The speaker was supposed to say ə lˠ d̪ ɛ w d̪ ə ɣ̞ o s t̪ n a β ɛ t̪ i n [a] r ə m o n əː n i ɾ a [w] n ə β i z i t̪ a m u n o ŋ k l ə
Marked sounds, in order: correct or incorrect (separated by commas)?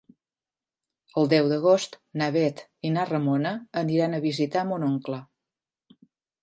correct, incorrect